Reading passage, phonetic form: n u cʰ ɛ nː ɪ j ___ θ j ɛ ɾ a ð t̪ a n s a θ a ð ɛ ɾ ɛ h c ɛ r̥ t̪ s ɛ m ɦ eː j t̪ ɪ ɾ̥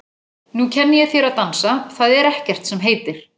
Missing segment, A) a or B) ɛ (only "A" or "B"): B